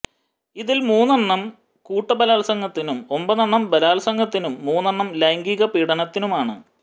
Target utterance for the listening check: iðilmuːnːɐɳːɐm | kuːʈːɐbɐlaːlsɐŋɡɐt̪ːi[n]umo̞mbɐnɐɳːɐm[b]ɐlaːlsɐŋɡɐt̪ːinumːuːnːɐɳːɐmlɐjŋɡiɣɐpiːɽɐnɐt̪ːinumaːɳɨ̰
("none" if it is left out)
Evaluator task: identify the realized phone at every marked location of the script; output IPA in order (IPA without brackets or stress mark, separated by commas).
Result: n, b